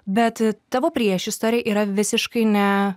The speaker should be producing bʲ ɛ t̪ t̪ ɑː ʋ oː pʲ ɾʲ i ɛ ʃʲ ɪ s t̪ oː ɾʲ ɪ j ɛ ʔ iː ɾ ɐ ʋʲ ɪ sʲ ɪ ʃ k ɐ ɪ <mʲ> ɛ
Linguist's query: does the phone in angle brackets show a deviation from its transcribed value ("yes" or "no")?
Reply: yes